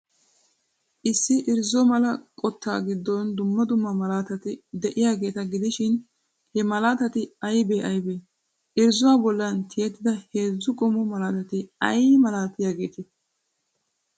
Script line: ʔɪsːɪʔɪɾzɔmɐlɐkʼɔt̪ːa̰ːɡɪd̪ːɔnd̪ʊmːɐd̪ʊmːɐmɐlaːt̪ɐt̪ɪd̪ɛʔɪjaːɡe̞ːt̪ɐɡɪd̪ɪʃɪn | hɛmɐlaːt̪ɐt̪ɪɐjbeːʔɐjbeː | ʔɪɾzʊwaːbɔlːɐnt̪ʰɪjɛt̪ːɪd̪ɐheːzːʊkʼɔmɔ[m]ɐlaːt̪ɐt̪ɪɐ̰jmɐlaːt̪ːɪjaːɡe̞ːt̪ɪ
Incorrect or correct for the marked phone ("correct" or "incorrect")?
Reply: correct